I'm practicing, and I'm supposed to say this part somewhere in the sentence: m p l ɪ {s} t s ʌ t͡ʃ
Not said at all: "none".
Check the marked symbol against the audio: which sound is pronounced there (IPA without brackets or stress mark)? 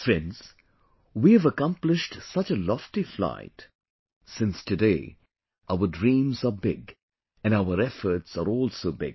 ʃ